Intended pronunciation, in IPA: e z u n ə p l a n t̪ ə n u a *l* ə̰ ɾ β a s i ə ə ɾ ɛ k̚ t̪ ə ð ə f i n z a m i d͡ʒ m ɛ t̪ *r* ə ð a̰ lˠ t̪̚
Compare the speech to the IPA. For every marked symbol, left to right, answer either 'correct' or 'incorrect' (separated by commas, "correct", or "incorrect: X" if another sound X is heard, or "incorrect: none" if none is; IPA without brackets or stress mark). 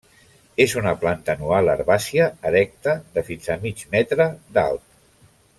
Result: correct, incorrect: ɾ